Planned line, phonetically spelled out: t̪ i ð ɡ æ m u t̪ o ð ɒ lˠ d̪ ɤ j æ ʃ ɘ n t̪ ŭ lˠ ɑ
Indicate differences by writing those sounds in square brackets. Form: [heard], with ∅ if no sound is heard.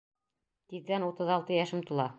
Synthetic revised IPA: t̪ i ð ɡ æ [n] u t̪ [ɤ] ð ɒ lˠ [t̪] ɤ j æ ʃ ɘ [m] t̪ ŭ lˠ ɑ